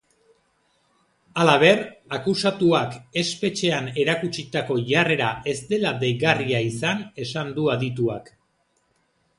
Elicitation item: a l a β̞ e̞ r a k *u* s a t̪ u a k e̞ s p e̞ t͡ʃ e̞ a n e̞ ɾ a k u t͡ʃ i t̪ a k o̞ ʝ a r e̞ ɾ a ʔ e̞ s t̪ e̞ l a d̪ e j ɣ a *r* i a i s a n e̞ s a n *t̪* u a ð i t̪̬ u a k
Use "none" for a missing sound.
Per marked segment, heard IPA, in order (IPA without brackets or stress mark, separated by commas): u, r, d̪